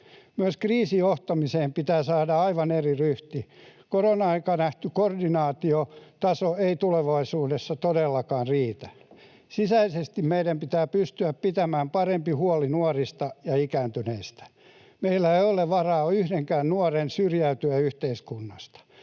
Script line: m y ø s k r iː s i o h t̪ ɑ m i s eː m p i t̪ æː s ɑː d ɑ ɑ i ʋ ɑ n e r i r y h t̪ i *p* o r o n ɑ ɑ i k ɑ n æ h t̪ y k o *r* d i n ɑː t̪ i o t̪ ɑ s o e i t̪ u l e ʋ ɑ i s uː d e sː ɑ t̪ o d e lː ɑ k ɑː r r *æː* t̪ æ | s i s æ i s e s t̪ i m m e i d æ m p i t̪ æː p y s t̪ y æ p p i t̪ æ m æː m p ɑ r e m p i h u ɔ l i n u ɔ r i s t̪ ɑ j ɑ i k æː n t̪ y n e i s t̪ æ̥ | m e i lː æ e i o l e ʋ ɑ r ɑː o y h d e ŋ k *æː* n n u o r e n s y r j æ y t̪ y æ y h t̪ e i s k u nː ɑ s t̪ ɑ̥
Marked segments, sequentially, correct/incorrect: incorrect, correct, incorrect, correct

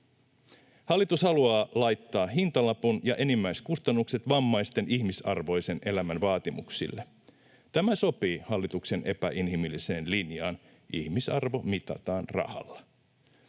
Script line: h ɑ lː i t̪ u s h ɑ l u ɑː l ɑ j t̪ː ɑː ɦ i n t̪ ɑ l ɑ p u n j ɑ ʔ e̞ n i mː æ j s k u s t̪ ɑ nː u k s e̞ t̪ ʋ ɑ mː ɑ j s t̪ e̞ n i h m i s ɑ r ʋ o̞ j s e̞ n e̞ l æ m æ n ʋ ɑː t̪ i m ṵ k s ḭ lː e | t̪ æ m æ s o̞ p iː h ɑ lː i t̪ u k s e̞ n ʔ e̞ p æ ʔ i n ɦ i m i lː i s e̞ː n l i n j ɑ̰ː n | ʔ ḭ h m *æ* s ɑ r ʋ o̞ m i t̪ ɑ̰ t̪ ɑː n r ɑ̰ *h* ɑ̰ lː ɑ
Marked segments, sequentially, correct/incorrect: incorrect, correct

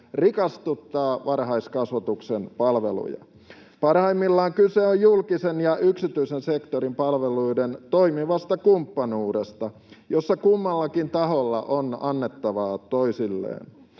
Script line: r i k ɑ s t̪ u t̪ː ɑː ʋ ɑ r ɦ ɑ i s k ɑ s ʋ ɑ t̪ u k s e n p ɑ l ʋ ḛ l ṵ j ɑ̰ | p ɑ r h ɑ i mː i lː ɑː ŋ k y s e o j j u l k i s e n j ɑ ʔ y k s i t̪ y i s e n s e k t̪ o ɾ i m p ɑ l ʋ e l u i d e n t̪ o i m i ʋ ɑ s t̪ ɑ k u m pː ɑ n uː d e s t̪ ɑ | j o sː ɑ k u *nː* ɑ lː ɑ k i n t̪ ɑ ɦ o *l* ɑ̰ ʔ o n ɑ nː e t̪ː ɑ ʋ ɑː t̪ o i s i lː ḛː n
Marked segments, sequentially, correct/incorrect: incorrect, incorrect

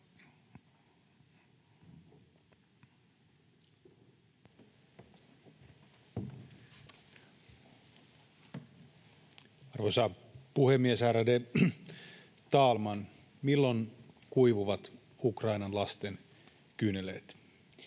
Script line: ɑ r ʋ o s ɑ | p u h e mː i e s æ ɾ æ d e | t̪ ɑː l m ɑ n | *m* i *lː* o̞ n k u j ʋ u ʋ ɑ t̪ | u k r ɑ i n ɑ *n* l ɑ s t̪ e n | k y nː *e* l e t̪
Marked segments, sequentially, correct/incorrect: correct, correct, correct, correct

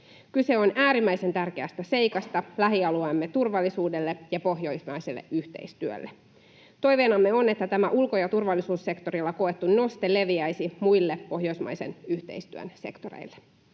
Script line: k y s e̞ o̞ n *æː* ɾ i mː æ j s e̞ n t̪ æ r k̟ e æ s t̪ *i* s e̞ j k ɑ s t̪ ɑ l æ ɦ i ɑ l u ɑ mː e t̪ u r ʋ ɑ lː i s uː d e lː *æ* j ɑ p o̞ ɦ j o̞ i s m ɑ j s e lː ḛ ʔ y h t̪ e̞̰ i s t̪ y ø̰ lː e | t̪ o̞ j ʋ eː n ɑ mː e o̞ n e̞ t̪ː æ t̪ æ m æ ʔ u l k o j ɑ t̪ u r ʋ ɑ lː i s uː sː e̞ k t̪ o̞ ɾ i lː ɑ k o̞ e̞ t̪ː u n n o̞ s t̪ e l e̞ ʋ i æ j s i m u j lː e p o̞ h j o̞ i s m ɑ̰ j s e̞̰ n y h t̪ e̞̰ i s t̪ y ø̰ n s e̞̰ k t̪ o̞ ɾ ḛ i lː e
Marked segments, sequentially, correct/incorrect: correct, incorrect, incorrect

